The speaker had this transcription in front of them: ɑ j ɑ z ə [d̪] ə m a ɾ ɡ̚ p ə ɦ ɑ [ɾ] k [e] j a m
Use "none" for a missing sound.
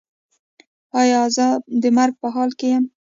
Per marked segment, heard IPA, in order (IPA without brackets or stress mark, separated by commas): d̪, l, e